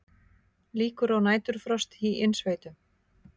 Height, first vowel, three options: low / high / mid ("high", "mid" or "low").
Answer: high